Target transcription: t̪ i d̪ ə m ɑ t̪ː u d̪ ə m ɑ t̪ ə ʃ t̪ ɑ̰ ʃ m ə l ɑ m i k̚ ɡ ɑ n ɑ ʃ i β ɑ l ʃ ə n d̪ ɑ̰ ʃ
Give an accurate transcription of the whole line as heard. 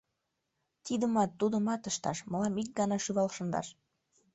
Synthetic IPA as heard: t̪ i d̪ ə m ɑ t̪ː u d̪ ə m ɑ t̪ ə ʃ t̪ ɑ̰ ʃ m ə l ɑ m i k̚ ɡ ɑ n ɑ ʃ y β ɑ l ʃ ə n d̪ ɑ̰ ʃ